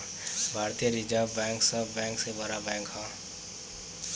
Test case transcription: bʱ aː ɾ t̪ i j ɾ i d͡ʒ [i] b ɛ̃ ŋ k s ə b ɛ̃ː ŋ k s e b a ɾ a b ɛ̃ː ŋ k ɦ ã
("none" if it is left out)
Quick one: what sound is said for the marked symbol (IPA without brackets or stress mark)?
a